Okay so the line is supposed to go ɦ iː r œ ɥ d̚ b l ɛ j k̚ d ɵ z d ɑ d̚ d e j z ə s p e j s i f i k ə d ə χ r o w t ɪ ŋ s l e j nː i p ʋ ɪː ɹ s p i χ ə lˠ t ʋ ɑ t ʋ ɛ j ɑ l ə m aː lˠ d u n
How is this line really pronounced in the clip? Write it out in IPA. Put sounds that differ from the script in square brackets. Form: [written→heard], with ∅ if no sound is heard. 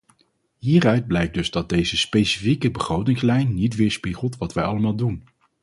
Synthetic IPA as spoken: ɦ iː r œ ɥ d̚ b l ɛ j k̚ d ɵ z d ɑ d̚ d e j z ə s p e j s i f i k ə [d→b] ə χ r o w t ɪ ŋ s l [e→ɛ] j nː i [p→t] ʋ ɪː ɹ s p i χ ə lˠ t ʋ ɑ t ʋ ɛ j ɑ l ə m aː lˠ d u n